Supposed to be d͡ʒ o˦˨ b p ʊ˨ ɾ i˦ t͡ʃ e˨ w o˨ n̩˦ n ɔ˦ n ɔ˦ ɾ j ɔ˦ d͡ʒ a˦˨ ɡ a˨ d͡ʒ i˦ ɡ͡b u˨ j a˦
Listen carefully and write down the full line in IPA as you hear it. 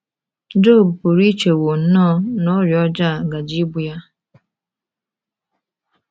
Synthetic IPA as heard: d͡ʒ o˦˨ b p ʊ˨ ɾ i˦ t͡ʃ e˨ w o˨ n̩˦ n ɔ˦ n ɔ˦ ɾ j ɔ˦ d͡ʒ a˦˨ ɡ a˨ d͡ʒ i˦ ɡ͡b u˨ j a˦